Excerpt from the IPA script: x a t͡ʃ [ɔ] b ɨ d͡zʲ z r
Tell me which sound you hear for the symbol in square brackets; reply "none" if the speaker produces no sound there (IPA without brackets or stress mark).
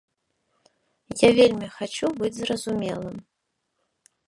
u